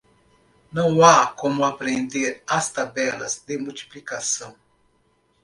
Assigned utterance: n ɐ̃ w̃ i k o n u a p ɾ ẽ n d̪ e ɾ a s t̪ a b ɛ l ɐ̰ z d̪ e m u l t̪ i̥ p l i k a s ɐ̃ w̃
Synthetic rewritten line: n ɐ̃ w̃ a k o m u a p ɾ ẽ n d̪ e ɾ a s t̪ a b ɛ l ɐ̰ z d̪ e m u l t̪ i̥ p l i k a s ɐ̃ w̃